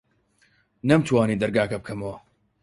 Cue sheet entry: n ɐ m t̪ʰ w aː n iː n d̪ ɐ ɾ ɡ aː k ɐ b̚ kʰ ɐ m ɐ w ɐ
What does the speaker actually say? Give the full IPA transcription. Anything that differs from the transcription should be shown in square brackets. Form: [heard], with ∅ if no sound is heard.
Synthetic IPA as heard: n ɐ m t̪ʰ w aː n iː [∅] d̪ ɐ ɾ ɡ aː k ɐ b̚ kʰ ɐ m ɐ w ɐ